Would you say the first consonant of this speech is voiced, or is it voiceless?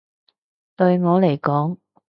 voiceless